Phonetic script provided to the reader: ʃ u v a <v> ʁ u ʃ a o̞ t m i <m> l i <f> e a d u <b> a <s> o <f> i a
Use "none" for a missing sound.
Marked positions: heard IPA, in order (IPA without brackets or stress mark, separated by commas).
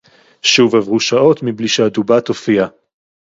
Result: v, b, ʃ, b, t, f